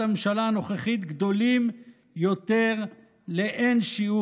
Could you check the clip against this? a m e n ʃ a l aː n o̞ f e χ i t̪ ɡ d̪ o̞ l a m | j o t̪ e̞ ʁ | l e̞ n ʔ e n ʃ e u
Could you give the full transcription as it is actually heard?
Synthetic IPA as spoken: a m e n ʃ a l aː n o̞ χ e χ i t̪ ɡ d̪ o̞ l i m | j o t̪ e̞ ʁ | l e̞ ʔ e n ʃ i u